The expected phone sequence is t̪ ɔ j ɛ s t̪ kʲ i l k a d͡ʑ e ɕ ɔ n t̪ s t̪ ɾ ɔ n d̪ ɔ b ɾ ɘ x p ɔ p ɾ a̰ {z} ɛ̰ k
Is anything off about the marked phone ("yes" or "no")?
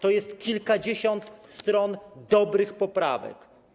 yes